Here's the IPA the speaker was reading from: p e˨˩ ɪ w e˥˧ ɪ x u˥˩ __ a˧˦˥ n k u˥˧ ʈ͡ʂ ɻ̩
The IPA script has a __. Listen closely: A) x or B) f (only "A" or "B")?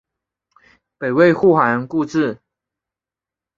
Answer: A